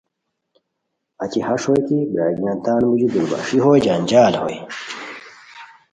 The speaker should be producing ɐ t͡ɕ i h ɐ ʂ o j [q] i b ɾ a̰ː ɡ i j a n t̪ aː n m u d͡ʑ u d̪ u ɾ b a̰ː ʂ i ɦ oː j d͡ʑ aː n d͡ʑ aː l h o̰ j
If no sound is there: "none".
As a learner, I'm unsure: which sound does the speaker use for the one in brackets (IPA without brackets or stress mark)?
k